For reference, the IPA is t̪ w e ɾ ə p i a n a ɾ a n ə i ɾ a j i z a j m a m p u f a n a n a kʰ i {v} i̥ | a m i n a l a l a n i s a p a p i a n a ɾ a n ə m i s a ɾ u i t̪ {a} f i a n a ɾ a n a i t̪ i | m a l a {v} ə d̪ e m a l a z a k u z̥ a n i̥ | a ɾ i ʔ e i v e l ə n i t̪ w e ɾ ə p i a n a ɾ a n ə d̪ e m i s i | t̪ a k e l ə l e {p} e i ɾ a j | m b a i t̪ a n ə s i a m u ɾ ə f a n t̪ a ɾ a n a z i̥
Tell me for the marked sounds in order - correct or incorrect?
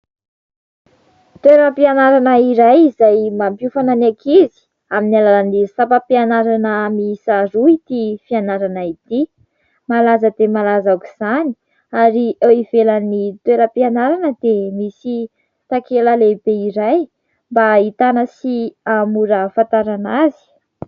incorrect, incorrect, incorrect, incorrect

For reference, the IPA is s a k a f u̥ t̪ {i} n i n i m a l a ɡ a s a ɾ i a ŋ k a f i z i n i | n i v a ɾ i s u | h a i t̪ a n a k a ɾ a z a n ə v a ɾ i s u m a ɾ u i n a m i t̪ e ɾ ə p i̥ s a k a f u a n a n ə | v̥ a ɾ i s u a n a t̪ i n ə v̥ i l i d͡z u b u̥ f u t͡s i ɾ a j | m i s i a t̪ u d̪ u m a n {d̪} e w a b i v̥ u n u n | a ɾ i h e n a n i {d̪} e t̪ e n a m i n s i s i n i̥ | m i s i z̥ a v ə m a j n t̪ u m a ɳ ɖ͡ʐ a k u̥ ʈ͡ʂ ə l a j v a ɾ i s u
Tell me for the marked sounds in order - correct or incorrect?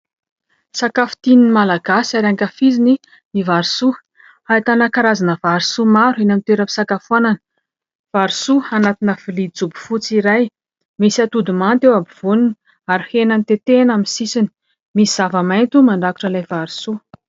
correct, incorrect, incorrect

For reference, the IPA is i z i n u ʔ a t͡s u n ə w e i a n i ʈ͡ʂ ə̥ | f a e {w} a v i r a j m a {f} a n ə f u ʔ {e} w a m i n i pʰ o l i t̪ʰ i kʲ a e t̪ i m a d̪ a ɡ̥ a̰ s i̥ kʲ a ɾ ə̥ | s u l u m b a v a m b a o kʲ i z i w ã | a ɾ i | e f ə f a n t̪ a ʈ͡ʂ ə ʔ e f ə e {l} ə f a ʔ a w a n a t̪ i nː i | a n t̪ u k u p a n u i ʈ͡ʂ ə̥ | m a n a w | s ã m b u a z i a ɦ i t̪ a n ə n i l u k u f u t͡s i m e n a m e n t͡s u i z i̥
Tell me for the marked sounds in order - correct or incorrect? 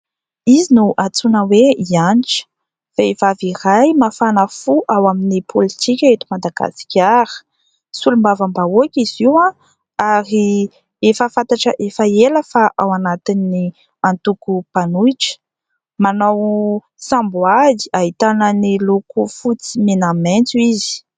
incorrect, correct, incorrect, correct

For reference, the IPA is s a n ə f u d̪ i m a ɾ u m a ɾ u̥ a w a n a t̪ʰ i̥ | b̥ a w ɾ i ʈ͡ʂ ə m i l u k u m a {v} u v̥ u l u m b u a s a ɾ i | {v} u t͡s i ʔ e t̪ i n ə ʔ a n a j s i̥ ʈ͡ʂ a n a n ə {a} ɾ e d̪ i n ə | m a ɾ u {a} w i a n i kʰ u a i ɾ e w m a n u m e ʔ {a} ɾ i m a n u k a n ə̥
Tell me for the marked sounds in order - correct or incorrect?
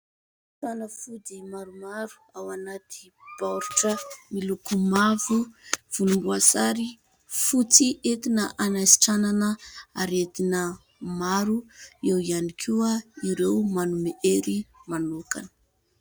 correct, incorrect, correct, incorrect, incorrect

